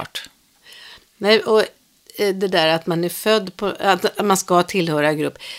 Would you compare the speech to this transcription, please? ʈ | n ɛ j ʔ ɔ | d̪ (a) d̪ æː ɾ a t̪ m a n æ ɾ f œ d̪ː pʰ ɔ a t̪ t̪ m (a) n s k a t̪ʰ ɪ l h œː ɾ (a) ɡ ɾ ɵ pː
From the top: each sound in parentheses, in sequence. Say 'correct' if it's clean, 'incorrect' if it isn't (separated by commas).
incorrect, correct, correct